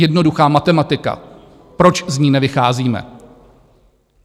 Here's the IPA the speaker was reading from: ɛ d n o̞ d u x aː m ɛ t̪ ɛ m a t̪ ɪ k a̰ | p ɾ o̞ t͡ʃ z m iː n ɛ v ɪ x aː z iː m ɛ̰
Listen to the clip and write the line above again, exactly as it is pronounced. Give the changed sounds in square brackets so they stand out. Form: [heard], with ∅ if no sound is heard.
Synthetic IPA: ɛ d n o̞ d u x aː m [a] t̪ ɛ m a t̪ ɪ k a̰ | p ɾ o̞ t͡ʃ z [ɲ] iː n ɛ v ɪ x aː z iː m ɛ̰